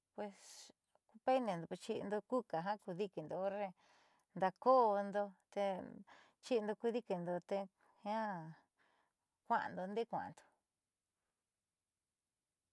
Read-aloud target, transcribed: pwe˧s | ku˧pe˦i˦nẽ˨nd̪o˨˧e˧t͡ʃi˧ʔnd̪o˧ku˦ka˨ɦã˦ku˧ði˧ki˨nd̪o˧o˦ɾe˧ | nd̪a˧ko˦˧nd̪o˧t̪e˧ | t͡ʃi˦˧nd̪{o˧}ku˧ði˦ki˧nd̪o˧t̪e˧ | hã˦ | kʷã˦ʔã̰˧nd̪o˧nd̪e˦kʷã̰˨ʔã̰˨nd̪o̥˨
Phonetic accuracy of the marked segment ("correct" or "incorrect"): correct